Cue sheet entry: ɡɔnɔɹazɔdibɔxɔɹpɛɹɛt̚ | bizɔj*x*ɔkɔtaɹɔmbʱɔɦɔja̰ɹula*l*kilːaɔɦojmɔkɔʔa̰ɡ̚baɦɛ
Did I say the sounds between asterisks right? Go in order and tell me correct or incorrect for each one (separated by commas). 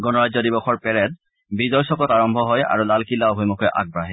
incorrect, correct